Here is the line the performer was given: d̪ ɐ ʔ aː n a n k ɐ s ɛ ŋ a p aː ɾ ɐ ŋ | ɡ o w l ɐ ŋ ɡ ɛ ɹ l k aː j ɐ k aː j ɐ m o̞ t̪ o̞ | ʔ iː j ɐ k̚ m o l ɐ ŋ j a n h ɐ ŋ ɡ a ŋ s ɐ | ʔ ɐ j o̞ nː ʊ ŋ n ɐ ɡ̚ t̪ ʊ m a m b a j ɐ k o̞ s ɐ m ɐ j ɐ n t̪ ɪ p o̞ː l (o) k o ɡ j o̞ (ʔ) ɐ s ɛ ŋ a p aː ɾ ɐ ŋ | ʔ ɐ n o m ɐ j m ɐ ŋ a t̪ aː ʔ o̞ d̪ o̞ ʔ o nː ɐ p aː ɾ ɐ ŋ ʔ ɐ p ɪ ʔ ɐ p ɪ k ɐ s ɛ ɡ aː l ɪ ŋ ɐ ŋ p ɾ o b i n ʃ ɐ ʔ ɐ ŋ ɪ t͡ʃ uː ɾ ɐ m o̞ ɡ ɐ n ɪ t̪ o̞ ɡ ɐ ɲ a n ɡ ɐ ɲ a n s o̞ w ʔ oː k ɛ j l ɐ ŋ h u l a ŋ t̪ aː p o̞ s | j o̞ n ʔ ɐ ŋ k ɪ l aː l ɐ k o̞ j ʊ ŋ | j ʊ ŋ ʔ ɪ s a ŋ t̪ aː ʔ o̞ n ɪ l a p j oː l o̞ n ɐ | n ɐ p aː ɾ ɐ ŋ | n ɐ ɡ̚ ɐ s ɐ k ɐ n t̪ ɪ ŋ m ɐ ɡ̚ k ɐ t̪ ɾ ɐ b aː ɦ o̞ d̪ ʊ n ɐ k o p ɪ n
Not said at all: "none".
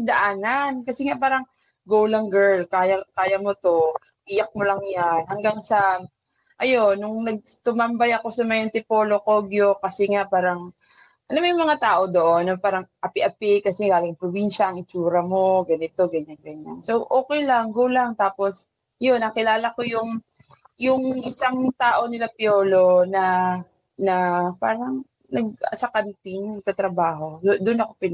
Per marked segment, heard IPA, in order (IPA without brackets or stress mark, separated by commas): o, k